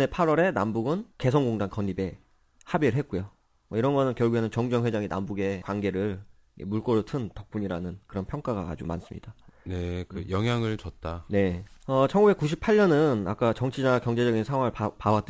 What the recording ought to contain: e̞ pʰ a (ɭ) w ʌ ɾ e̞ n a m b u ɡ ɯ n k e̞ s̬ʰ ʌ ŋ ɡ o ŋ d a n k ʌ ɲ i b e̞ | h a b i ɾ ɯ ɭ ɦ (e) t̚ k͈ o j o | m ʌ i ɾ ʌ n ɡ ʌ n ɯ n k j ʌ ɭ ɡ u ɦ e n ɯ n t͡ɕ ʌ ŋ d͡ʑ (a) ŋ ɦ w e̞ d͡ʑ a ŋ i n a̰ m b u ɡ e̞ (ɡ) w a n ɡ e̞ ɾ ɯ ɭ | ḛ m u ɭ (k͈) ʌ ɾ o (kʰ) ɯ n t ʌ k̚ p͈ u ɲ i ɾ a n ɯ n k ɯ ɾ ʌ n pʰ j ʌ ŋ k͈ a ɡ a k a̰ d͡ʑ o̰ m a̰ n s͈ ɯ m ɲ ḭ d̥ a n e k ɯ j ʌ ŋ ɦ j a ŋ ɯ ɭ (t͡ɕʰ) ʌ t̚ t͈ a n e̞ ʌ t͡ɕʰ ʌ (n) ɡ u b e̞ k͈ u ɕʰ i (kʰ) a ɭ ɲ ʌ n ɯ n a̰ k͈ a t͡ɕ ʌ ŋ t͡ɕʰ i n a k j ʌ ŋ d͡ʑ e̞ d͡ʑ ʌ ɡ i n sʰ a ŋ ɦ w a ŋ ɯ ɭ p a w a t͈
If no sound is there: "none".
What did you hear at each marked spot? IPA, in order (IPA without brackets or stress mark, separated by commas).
ɾ, e, ʌ, k, k͈, tʰ, t͡ɕ, ŋ, pʰ